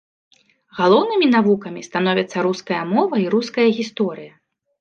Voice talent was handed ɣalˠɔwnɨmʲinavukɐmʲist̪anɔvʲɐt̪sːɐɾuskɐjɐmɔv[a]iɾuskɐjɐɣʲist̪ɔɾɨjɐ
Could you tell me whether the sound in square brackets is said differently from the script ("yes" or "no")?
yes